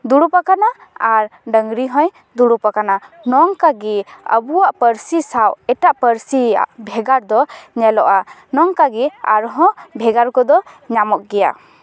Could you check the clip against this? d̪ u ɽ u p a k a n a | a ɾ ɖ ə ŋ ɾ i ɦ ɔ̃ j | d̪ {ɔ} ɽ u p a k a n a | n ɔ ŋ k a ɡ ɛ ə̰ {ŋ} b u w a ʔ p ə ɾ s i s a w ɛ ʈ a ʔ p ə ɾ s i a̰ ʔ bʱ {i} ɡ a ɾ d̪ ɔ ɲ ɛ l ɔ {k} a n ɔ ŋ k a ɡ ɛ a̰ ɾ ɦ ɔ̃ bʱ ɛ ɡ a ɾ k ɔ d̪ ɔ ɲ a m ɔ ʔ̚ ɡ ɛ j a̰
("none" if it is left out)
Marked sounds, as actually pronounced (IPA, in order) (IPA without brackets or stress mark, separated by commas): u, none, ɛ, ʔ